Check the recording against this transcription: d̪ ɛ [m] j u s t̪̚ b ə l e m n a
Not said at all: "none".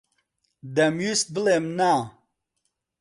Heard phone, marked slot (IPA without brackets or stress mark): m